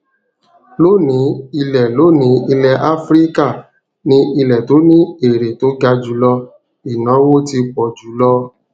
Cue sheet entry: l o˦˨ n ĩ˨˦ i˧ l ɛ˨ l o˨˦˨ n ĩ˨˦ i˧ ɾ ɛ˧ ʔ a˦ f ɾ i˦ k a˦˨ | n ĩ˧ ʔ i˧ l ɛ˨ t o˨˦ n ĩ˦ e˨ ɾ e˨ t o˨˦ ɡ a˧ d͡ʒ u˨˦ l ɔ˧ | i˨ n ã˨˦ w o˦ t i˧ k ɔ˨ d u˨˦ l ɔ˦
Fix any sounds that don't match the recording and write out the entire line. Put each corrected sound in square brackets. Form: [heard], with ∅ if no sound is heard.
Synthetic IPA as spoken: l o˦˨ n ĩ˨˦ i˧ l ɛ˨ l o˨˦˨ n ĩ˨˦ i˧ [l] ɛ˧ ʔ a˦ f ɾ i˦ k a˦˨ | n ĩ˧ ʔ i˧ l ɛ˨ t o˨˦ n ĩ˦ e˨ ɾ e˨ t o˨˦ ɡ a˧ d͡ʒ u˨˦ l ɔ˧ | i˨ n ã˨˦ w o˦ t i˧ [k͡p] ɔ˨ [d͡ʒ] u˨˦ l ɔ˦